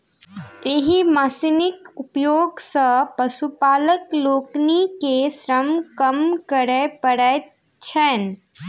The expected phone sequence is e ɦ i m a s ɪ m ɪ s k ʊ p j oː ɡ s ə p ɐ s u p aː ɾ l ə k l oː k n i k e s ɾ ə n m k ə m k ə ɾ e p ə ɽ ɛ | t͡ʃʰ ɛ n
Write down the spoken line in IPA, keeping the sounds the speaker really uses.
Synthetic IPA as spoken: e ɦ i m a s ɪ n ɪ k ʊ p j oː ɡ s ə p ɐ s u p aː l ə k l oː k n i k e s ɾ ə m k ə m k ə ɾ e p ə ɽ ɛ | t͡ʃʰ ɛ n